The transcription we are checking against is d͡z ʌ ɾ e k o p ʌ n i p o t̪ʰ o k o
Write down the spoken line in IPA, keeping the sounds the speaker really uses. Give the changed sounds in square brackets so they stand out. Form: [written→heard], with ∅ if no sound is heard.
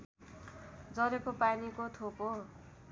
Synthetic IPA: d͡z ʌ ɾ e k o p [ʌ→a] n i [p→k] o t̪ʰ o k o